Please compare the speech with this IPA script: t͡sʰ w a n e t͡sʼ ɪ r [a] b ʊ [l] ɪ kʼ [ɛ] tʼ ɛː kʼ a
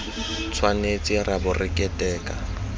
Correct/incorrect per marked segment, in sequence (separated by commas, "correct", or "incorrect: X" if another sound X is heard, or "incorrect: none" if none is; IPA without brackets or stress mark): correct, incorrect: r, correct